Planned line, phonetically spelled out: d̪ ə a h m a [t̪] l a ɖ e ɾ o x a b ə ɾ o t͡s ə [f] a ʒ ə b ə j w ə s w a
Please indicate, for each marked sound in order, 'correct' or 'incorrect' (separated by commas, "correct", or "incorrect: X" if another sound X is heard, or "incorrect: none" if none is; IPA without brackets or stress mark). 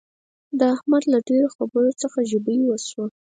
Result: incorrect: d̪, incorrect: x